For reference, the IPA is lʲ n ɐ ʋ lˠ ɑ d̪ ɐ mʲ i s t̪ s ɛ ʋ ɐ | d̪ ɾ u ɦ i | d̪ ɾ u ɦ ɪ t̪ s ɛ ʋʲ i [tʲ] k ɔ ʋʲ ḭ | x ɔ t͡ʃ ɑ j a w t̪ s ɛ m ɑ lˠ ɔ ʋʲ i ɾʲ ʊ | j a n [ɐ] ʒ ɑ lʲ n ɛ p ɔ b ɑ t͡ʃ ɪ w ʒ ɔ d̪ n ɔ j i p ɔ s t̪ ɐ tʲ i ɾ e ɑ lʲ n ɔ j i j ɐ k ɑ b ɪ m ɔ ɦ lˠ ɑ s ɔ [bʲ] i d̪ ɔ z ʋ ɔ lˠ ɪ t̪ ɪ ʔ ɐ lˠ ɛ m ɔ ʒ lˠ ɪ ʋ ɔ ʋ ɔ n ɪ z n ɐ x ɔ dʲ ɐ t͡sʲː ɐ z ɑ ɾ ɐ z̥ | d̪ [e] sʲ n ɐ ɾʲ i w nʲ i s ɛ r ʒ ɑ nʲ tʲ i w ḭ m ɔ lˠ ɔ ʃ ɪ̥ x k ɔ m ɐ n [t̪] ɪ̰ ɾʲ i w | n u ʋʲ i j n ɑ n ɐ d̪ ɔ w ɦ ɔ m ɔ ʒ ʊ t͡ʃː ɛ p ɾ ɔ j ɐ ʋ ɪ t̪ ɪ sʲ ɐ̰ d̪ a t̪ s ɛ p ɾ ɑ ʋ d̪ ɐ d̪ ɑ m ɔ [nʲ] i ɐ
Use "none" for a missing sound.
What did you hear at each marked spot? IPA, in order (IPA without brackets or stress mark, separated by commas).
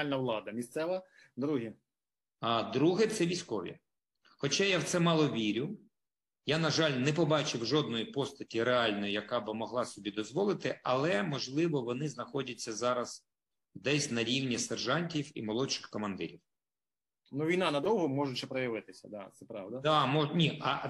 sʲ, ɐ, bʲ, ɛ, d̪, nʲ